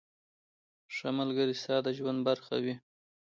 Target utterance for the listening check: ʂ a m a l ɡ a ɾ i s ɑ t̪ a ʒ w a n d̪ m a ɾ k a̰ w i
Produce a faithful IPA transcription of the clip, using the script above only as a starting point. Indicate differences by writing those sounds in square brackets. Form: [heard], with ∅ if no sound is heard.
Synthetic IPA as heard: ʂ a m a l ɡ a ɾ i s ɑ [d̪] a ʒ w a n d̪ [b] a ɾ [x] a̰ w i